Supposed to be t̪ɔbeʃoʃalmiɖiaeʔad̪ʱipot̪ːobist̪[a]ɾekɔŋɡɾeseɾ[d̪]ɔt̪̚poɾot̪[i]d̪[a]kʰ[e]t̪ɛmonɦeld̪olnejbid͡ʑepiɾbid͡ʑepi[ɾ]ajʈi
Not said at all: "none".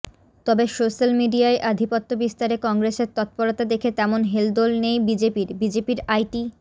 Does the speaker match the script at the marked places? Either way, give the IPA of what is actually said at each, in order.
a, t̪, a, e, e, ɾ

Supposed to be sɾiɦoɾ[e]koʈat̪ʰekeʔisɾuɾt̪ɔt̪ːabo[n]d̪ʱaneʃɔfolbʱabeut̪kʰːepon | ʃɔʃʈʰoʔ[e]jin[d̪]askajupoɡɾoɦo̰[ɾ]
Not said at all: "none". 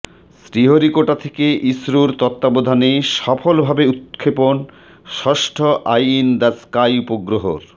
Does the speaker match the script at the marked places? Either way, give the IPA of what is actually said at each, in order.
i, none, a, d̪, ɾ

